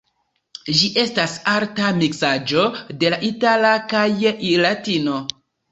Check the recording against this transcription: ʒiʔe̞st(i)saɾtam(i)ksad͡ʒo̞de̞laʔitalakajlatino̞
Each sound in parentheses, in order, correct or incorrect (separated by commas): incorrect, correct